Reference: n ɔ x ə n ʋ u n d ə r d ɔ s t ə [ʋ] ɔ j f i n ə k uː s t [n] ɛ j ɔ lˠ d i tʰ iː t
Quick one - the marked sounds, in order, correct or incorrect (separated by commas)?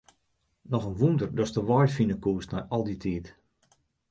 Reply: correct, correct